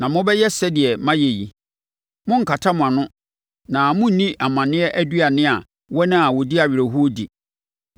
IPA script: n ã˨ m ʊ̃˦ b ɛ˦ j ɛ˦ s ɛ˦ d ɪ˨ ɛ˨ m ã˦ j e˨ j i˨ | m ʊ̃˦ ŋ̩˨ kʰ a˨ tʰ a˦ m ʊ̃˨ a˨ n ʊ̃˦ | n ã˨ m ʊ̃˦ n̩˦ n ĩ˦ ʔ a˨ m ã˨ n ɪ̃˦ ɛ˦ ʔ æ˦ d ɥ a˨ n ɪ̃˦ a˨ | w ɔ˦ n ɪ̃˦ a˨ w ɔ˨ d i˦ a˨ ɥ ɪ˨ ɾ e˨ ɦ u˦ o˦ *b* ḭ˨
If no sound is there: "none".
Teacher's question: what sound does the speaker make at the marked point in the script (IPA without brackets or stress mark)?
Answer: d